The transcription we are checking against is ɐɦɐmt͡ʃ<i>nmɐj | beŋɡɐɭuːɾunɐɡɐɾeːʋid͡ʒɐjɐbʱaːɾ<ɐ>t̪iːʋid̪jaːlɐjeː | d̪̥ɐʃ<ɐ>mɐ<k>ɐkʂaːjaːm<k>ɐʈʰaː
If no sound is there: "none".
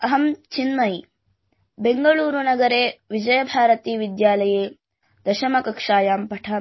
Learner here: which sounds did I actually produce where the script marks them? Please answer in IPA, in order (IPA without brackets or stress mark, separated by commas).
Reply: i, ɐ, ɐ, k, p